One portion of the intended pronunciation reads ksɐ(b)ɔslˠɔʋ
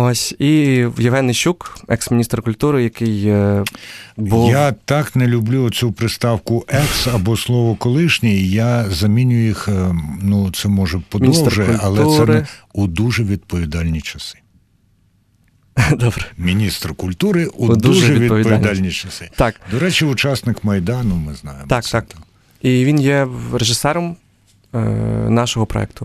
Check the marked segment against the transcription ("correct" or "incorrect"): correct